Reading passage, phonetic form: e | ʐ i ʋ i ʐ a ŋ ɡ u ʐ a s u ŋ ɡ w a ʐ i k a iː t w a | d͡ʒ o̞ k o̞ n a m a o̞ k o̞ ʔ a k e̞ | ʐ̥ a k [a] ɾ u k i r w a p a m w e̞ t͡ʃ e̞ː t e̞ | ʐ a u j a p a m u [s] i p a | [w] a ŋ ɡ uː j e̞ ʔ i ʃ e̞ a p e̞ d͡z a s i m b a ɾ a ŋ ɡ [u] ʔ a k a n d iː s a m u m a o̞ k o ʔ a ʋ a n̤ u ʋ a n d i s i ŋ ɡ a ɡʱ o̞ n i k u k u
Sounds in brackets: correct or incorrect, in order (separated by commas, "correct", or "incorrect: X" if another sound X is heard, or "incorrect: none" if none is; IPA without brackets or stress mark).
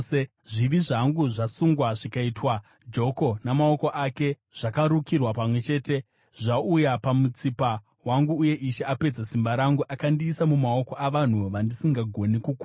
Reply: correct, incorrect: t͡s, correct, correct